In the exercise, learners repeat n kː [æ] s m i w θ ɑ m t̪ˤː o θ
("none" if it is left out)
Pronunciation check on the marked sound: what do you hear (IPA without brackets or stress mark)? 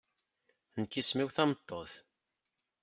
i